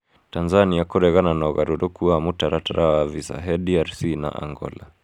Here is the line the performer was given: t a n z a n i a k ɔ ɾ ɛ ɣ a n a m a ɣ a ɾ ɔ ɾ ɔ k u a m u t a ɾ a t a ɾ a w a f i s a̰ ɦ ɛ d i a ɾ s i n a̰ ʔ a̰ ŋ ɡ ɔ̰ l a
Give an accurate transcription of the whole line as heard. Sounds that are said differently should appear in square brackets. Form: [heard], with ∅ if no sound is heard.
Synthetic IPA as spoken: t a n z a n i a k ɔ ɾ ɛ ɣ a n a [n] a ɣ a ɾ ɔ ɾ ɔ k u a m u t a ɾ a t a ɾ a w a [v] i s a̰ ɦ ɛ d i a ɾ s i n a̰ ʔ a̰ ŋ ɡ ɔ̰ l a